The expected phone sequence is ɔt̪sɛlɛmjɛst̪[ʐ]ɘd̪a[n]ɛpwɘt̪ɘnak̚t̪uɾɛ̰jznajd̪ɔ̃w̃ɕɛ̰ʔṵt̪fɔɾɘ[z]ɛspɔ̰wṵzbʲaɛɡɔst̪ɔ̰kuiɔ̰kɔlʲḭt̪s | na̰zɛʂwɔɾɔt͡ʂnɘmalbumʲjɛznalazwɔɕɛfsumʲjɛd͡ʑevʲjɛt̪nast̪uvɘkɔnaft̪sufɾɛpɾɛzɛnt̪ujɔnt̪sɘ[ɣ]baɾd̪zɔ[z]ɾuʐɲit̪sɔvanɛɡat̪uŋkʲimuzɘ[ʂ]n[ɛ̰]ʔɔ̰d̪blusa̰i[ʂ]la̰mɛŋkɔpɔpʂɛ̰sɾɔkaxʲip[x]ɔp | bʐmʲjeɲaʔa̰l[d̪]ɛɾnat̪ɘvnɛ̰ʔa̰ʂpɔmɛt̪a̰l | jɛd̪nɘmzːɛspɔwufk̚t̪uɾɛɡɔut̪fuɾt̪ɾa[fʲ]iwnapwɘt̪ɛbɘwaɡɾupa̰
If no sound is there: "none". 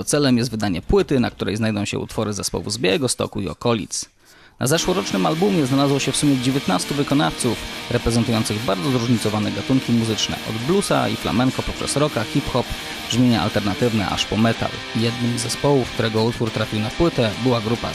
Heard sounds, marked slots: v, ɲ, z, ɣ, z, t͡ʂ, ɛ̰, f, x, t̪, fʲ

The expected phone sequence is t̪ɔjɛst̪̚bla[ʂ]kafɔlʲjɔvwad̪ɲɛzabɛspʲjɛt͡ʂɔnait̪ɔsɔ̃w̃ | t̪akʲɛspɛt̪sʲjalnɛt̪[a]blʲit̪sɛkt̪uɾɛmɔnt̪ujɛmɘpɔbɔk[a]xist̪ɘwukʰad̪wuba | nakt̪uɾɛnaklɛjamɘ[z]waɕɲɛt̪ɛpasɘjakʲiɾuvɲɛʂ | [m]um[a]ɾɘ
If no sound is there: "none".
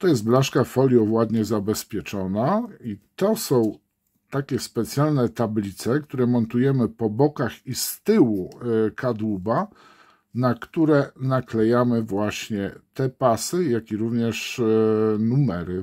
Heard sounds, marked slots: ʂ, a, a, v, n, ɛ

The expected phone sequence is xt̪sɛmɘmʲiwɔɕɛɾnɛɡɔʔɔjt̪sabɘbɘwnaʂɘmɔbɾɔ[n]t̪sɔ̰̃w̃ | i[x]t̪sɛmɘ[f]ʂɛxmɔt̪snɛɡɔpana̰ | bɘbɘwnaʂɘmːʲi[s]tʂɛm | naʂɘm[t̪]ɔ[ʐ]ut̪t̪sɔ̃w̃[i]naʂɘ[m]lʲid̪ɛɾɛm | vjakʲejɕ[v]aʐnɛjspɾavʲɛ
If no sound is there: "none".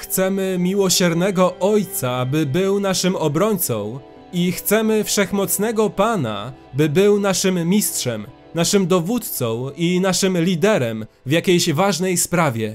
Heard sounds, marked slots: ɲ, x, f, s, d̪, v, i, m, v

